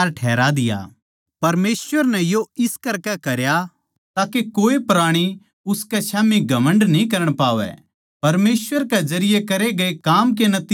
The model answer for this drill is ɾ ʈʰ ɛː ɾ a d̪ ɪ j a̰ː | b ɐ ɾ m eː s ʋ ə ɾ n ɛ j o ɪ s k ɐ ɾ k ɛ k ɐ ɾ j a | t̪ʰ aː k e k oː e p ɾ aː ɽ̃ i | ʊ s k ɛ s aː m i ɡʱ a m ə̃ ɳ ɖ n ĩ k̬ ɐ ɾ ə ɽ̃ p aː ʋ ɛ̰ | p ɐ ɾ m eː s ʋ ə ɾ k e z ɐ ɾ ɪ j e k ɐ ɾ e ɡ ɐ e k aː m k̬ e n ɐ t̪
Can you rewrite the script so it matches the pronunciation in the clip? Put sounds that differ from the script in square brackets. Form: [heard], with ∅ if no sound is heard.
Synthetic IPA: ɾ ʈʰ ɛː ɾ a d̪ ɪ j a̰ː | [p] ɐ ɾ m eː s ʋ ə ɾ n ɛ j o ɪ s k ɐ ɾ k ɛ k ɐ ɾ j a | [t̪] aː k e k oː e p ɾ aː ɽ̃ i | ʊ s k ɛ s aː m i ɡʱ [ɐ] m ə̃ ɳ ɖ n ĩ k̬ ɐ ɾ ə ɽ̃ p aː ʋ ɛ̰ | p ɐ ɾ m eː s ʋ ə ɾ k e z ɐ ɾ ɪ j e k ɐ ɾ e ɡ ɐ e k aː m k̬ e n ɐ t̪